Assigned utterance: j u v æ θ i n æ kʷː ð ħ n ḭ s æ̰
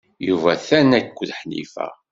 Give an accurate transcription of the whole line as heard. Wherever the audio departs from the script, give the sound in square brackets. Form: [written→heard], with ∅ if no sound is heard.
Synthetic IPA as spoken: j u v æ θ [i→æ] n æ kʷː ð ħ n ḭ [s→f] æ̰